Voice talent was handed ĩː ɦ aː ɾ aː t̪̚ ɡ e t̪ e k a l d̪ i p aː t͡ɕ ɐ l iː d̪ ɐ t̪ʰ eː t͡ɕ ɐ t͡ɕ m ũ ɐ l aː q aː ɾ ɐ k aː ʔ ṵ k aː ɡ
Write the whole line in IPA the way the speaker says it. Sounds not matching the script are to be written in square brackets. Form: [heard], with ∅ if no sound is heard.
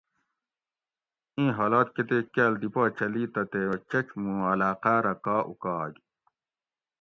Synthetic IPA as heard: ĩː ɦ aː [l] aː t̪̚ [k] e t̪ e k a l d̪ i p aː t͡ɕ ɐ l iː [t̪] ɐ [t̪] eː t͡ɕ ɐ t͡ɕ m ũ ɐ l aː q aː ɾ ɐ k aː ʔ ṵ k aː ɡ